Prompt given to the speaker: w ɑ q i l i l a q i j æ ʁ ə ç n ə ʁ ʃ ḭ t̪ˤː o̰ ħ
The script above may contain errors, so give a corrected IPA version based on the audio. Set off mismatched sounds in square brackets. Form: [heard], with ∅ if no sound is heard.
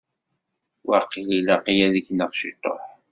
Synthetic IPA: w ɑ q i l i l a q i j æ [ð] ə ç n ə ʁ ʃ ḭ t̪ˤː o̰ ħ